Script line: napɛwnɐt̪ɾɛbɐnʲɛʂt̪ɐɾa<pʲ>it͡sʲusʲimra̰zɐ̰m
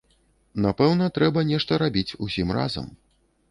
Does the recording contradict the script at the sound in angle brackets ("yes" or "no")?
yes